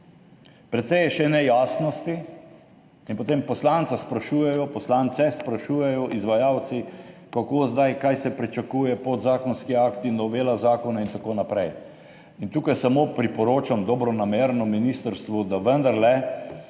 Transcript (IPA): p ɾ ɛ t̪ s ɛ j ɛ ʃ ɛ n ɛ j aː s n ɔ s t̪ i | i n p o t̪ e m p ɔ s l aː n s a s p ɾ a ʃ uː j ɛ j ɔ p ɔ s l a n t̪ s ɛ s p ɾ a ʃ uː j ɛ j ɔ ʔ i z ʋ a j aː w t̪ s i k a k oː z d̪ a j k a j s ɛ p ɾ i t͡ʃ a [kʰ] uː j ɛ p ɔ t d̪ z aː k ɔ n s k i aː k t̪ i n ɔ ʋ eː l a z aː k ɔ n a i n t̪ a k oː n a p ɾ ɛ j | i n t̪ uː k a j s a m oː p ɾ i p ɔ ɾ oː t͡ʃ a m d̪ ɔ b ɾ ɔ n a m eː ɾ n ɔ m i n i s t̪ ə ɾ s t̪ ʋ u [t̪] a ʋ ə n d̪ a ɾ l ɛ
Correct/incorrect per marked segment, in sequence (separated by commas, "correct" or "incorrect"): incorrect, incorrect